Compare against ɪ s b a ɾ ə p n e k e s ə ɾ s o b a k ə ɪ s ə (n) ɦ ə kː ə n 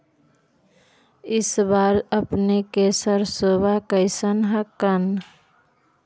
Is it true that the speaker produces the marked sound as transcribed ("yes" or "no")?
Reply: yes